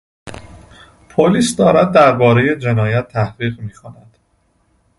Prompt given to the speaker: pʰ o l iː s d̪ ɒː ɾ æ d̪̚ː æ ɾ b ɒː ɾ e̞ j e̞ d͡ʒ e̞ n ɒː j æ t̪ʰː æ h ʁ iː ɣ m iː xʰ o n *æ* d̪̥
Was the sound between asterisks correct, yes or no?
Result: yes